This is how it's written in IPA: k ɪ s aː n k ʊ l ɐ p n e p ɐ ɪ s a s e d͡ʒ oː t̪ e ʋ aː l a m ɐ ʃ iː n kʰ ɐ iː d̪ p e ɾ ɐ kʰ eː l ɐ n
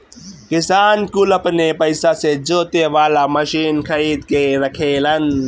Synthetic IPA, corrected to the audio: k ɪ s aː n k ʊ l ɐ p n e p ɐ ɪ s a s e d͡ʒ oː t̪ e ʋ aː l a m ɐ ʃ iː n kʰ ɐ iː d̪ k e ɾ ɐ kʰ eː l ɐ n